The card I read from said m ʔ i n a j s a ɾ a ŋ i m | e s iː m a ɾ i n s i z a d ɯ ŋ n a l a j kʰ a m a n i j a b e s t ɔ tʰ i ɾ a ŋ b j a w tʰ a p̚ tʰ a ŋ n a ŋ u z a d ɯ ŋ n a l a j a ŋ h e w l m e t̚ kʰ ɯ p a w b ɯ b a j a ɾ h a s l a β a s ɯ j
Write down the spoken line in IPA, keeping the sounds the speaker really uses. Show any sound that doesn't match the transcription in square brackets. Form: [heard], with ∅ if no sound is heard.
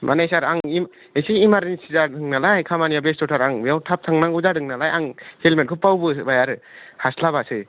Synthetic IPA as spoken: m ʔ [a] n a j s a ɾ a ŋ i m | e s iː m a ɾ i n s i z a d ɯ ŋ n a l a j kʰ a m a n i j a b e s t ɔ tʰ [a] ɾ a ŋ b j a w tʰ a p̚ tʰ a ŋ n a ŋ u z a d ɯ ŋ n a l a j a ŋ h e [∅] l m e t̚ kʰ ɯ p a w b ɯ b a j a ɾ h a s l a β a s ɯ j